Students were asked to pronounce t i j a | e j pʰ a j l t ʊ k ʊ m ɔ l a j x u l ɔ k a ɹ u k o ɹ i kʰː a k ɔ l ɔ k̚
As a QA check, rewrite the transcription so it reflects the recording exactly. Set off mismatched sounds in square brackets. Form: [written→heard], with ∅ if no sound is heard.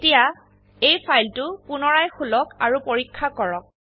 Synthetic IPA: t i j a | e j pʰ a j l t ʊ [k→p] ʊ [m→n] ɔ [l→ɹ] a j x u l ɔ k a ɹ u [k→p] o ɹ i kʰː a k ɔ [l→ɹ] ɔ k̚